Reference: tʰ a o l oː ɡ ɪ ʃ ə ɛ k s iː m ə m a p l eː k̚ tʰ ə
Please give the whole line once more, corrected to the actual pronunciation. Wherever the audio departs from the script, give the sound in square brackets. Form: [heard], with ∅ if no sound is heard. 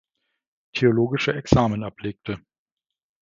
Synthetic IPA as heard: tʰ [e] o l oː ɡ ɪ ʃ ə ɛ k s [aː] m ə [n] a p l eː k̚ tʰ ə